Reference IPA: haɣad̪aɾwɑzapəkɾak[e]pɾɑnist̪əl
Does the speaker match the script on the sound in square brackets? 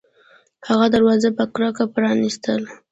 no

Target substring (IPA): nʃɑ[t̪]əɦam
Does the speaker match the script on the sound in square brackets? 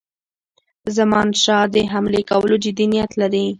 no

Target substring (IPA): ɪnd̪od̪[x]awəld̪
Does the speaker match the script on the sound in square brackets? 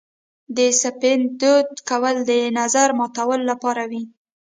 no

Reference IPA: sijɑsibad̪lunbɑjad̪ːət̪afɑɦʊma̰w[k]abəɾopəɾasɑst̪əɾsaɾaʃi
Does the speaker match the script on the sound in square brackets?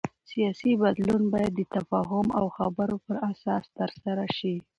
no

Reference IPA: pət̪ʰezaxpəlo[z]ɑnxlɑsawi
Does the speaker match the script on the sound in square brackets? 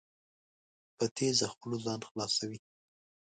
yes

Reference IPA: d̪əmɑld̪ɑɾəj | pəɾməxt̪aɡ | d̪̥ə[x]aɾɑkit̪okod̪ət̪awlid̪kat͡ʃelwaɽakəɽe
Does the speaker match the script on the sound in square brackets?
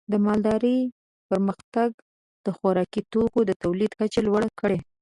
yes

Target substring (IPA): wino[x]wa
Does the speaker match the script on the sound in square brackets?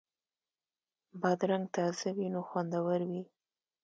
yes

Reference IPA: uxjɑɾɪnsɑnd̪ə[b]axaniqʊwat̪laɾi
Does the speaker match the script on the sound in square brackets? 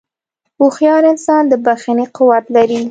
yes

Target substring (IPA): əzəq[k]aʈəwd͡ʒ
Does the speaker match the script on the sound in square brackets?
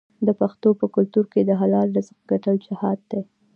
no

